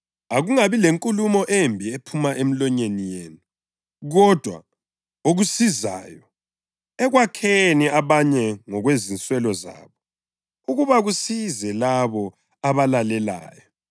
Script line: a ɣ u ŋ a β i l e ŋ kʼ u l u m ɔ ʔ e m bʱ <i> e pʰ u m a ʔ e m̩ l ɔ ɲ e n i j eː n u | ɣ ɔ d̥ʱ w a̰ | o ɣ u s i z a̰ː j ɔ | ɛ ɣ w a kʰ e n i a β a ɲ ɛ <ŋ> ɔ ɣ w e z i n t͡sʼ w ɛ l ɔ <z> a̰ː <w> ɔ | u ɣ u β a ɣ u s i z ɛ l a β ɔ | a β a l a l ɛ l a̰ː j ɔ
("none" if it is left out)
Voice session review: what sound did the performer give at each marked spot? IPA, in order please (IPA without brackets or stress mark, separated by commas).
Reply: i, ŋ, z, β